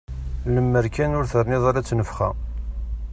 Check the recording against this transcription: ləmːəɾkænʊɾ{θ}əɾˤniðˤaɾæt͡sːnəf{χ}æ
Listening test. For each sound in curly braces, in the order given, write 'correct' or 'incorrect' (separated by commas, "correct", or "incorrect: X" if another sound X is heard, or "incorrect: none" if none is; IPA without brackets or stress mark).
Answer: correct, correct